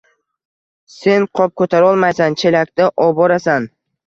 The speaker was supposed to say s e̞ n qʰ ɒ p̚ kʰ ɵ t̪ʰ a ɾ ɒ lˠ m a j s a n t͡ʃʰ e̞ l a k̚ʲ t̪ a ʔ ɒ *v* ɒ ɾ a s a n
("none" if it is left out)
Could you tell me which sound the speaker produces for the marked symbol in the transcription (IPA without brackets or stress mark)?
b